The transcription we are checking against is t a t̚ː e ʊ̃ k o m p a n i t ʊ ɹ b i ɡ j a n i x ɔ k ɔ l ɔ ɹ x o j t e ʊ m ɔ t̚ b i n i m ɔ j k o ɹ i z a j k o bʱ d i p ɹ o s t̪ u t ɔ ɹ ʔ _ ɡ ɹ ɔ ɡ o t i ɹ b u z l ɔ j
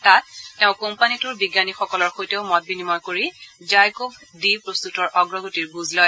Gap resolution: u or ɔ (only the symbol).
ɔ